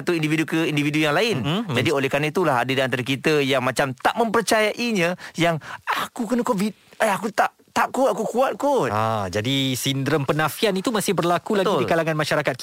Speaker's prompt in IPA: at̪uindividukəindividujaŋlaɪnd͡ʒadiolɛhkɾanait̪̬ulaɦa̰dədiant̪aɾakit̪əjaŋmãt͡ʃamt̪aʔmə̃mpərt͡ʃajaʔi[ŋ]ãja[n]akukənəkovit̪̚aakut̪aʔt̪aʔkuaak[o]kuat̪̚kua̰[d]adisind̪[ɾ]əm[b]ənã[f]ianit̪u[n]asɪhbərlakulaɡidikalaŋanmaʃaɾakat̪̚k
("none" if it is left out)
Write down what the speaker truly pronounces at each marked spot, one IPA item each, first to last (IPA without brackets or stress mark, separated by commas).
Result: ɲ, ŋ, u, d͡ʒ, ɾ, p, f, m